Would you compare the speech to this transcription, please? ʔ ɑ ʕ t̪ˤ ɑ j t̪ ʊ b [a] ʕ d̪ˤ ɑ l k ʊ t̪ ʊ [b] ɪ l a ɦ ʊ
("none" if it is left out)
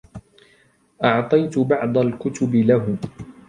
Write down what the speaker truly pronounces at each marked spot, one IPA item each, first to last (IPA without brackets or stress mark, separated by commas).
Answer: ɑ, b